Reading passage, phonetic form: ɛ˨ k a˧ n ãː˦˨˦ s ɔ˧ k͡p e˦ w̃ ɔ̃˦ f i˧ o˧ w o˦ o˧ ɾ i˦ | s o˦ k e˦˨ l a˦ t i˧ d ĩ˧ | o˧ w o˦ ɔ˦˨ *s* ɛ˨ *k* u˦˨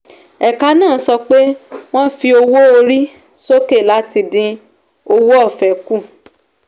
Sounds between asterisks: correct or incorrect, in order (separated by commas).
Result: incorrect, correct